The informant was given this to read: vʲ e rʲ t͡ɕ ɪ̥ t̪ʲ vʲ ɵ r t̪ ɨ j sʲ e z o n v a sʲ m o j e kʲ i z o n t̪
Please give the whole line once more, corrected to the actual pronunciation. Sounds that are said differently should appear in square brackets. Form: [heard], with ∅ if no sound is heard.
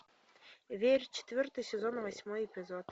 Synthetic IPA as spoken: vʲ e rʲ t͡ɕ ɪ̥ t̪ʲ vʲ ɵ r t̪ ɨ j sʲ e z o n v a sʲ m o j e [pʲ] i z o [∅] t̪